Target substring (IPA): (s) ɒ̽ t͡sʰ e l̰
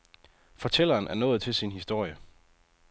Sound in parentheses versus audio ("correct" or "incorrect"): incorrect